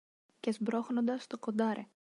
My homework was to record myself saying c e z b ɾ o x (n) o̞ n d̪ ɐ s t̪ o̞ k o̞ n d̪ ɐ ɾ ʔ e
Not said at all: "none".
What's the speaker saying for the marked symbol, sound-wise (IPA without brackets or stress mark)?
n